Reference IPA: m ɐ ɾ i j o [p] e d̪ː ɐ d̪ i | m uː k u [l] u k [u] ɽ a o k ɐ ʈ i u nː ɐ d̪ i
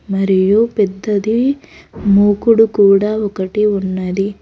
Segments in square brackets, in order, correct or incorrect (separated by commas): correct, incorrect, incorrect